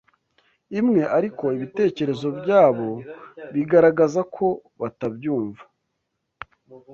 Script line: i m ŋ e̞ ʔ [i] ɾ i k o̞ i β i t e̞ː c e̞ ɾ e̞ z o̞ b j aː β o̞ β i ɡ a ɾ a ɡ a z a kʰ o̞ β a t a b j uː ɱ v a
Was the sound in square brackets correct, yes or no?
no